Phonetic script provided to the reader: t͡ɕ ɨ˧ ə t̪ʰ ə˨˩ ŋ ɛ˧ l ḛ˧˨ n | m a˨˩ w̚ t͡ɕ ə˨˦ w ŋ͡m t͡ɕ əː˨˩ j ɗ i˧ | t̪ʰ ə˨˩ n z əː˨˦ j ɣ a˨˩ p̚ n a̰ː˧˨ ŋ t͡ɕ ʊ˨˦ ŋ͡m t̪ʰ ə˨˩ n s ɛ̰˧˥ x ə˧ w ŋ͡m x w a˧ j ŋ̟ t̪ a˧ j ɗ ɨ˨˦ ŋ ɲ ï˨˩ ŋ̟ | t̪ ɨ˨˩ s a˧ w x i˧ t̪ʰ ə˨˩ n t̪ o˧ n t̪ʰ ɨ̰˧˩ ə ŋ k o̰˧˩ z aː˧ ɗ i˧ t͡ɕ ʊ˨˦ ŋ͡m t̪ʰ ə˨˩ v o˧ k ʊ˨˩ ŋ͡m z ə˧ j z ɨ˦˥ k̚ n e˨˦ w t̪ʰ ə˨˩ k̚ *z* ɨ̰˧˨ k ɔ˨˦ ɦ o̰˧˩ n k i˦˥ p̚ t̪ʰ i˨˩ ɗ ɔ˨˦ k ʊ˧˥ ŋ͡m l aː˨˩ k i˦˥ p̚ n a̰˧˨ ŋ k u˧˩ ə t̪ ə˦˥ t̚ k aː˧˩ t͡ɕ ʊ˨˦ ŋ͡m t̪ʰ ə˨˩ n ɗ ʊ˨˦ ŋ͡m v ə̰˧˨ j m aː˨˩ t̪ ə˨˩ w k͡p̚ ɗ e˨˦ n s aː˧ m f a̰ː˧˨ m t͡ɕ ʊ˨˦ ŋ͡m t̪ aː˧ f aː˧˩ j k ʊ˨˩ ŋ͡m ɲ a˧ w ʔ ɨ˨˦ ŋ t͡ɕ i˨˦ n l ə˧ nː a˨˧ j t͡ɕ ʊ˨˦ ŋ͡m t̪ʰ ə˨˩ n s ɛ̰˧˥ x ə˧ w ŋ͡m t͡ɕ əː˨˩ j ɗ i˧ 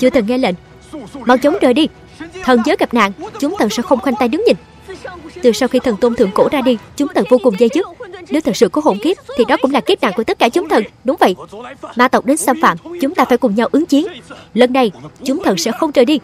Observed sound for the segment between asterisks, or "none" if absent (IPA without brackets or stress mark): s